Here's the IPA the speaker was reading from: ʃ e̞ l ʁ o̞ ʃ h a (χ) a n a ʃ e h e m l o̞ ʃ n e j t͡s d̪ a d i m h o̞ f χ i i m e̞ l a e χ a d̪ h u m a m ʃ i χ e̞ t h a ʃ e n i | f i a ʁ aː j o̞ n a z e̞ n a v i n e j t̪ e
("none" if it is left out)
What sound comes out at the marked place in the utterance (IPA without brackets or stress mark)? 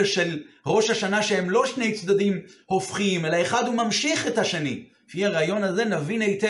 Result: ʃ